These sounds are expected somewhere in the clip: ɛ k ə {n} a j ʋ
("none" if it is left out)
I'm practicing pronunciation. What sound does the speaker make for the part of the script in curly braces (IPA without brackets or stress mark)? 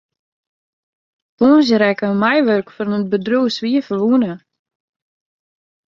m